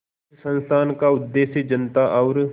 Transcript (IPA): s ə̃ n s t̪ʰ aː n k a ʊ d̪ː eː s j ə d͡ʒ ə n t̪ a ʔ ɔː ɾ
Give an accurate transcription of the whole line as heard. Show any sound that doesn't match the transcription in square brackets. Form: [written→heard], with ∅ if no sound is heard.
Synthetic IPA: s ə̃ n s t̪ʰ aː n k a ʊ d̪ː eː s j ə d͡ʒ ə n t̪ a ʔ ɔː ɾ